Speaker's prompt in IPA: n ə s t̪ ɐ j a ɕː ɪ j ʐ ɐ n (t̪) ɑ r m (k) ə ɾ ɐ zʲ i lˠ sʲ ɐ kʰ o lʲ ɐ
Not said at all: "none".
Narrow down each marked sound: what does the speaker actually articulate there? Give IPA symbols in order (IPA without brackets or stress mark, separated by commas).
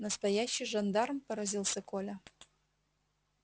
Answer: d̪, p